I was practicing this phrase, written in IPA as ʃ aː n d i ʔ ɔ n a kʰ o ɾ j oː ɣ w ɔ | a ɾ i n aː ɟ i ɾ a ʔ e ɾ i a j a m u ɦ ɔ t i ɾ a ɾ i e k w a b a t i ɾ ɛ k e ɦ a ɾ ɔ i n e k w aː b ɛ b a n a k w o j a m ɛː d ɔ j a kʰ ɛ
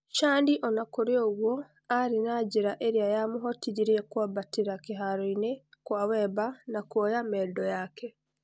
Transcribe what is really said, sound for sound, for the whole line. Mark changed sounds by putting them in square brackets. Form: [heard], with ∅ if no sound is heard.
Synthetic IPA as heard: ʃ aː n d i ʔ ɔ n a [k] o ɾ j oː ɣ w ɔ | a ɾ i n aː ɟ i ɾ a ʔ e ɾ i a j a m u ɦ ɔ t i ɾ [i] ɾ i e k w a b a t i ɾ [a] k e ɦ a ɾ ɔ i n e k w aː [w] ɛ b a n a k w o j a m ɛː d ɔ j a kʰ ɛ